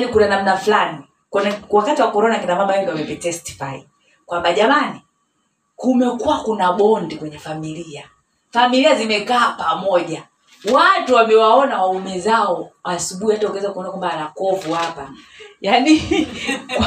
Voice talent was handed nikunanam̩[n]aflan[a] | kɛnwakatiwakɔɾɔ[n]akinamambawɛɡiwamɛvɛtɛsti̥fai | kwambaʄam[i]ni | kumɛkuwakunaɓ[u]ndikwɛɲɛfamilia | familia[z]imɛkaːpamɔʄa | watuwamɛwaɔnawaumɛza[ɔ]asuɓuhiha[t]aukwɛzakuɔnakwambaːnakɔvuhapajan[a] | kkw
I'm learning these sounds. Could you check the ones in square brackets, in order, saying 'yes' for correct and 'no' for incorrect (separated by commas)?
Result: yes, no, yes, no, no, yes, yes, yes, no